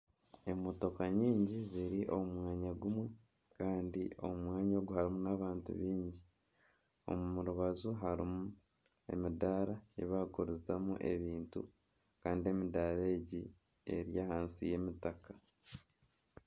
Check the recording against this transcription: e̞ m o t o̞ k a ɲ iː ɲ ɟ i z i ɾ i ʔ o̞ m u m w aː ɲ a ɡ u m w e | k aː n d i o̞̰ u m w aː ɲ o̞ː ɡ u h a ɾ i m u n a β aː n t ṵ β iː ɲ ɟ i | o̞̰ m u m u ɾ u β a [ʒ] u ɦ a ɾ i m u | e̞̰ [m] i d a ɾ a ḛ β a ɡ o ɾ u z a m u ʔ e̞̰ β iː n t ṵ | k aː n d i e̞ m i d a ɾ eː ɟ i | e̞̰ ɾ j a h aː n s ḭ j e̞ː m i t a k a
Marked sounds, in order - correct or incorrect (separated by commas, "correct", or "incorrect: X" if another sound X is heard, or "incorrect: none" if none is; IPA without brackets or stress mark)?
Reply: incorrect: z, correct